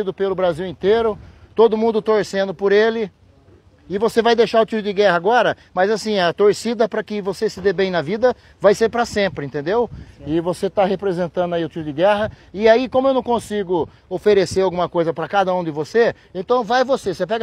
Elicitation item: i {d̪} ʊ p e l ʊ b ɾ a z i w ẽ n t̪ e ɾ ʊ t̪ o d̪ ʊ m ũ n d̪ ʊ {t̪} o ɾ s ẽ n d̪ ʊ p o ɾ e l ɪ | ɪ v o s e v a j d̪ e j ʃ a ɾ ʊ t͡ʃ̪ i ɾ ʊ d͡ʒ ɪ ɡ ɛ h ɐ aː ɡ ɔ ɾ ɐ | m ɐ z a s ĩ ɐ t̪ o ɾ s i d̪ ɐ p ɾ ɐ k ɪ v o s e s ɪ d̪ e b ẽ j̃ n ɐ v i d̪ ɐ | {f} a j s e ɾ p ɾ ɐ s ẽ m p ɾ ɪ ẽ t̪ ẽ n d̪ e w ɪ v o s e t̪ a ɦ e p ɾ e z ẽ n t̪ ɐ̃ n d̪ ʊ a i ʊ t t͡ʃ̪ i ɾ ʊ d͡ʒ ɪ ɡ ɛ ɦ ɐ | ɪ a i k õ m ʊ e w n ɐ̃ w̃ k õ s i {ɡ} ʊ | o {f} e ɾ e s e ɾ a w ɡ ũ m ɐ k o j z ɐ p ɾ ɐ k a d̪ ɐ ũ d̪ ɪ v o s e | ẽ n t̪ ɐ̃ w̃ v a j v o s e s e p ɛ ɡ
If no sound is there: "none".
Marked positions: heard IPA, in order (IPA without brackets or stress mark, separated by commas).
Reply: d̪, t̪, v, ɡ, f